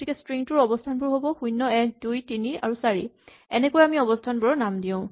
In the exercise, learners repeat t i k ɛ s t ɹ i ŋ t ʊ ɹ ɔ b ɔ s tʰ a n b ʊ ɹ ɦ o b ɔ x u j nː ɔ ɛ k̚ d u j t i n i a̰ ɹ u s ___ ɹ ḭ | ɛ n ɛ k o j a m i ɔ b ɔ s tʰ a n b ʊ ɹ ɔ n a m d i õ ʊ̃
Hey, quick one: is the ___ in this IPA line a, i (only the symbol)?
a